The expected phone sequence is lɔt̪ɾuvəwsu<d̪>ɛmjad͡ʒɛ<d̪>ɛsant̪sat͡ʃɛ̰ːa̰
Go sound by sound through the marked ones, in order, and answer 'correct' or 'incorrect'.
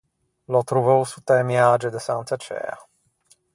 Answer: incorrect: t̪, correct

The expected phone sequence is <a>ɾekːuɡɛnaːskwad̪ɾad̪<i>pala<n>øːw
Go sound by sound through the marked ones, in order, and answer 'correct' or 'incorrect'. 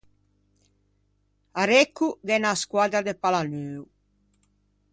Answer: correct, incorrect: e, correct

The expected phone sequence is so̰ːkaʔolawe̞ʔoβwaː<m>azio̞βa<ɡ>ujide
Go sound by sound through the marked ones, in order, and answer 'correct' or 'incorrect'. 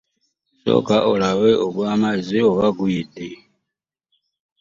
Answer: correct, correct

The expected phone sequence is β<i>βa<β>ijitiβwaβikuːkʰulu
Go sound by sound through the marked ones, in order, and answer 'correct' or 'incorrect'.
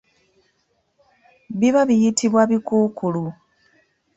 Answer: correct, correct

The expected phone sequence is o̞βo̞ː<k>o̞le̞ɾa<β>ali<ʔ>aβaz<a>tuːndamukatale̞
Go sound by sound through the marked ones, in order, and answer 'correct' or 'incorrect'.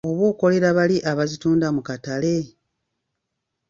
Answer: correct, correct, correct, incorrect: i

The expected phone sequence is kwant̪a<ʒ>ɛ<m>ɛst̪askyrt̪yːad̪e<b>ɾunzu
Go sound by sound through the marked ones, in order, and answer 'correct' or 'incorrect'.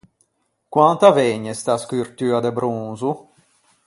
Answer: incorrect: v, incorrect: ɲ, correct

